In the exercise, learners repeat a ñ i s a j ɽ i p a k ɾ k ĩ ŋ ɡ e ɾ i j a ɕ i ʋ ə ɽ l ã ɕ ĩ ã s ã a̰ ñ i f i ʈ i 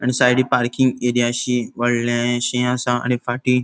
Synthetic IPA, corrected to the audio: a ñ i s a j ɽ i p a ɾ k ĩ ŋ ɡ e ɾ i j a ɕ i ʋ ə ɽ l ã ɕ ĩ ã s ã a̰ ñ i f a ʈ i